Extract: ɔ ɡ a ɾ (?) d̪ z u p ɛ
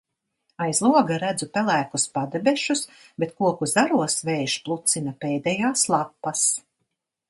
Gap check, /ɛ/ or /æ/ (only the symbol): æ